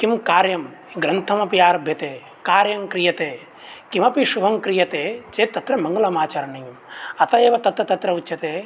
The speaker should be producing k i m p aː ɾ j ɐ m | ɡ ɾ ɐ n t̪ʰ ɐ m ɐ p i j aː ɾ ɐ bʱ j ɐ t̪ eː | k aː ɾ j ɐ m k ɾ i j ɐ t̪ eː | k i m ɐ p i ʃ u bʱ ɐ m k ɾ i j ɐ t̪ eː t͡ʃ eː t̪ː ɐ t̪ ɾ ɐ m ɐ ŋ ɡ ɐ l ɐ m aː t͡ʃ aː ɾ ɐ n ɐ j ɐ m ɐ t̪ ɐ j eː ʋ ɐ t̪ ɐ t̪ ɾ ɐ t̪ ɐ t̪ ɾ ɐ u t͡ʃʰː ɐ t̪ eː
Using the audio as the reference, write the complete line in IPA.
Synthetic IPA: k i m k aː ɾ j ɐ m | ɡ ɾ ɐ n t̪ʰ ɐ m ɐ p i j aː ɾ ɐ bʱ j ɐ t̪ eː | k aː ɾ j ɐ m k ɾ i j ɐ t̪ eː | k i m ɐ p i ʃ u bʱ ɐ m k ɾ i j ɐ t̪ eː t͡ʃ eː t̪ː ɐ t̪ ɾ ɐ m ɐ ŋ ɡ ɐ l ɐ m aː t͡ʃ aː ɾ ɐ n ɐ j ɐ m ɐ t̪ ɐ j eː ʋ ɐ t̪ ɐ t̪ ɾ ɐ t̪ ɐ t̪ ɾ ɐ u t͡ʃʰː ɐ t̪ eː